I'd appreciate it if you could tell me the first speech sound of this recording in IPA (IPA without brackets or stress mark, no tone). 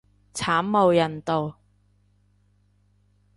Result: t͡sʰ